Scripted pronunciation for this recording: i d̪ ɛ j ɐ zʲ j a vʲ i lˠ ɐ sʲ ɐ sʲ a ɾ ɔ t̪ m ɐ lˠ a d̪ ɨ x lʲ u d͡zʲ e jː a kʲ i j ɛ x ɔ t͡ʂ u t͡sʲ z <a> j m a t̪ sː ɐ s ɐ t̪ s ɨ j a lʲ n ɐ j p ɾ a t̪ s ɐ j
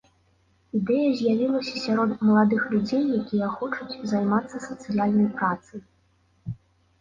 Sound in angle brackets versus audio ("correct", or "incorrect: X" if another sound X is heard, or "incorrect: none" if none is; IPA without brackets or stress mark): correct